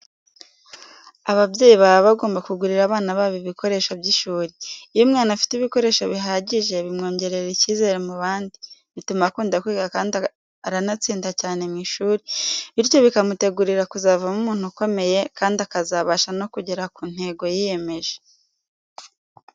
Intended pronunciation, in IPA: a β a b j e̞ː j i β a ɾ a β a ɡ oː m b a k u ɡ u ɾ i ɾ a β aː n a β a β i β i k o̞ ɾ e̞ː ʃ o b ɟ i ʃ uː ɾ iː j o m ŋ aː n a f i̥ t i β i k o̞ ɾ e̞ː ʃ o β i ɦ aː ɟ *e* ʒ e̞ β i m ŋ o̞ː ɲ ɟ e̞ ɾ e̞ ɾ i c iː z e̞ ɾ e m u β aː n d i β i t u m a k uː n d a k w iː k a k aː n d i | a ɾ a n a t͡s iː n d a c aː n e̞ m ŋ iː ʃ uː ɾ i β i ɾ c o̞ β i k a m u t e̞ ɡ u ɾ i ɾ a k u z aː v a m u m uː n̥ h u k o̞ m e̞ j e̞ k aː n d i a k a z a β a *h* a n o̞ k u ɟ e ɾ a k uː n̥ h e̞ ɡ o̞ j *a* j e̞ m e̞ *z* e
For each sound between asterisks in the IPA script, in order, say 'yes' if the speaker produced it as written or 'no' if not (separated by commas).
no, no, no, no